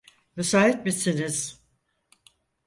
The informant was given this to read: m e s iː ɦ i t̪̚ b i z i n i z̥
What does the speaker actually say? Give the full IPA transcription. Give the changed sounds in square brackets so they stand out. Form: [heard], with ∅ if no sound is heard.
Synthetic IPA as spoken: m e s [aː] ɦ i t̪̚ [m] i [s] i n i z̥